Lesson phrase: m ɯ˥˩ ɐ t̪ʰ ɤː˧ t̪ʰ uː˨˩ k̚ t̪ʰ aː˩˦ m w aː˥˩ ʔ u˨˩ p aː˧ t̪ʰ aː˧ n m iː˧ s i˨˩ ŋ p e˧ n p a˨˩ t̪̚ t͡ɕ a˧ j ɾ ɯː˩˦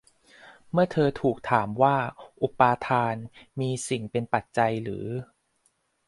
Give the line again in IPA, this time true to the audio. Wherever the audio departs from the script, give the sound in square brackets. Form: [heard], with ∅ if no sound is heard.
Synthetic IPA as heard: m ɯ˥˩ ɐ t̪ʰ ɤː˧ t̪ʰ uː˨˩ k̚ t̪ʰ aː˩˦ m w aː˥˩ ʔ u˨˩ p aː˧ t̪ʰ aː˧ n m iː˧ s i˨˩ ŋ p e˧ n p a˨˩ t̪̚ t͡ɕ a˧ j ɾ ɯː˩˦